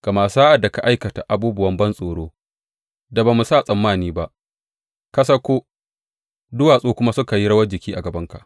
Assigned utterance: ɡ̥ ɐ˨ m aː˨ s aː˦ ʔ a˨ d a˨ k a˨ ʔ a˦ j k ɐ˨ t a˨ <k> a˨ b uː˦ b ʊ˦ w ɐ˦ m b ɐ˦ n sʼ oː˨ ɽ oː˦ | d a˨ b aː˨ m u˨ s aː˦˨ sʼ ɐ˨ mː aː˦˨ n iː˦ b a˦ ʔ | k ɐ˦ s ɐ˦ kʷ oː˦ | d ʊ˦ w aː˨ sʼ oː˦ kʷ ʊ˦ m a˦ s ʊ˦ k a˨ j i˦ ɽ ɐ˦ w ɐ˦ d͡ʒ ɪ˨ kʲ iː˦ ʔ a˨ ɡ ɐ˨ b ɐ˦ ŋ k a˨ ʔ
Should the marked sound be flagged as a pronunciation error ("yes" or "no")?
yes